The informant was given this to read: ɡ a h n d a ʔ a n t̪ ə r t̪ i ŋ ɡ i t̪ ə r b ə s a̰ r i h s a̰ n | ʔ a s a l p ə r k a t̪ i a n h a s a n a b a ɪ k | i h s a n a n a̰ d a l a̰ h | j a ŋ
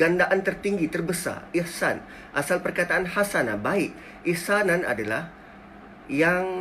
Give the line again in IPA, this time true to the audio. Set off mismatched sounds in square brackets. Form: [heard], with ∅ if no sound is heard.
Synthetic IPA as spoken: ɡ a [∅] n d a ʔ a n t̪ ə r t̪ i ŋ ɡ i t̪ ə r b ə s a̰ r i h s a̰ n | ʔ a s a l p ə r k a t̪ [a] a n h a s a n a b a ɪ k | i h s a n a n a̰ d a l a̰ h | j a ŋ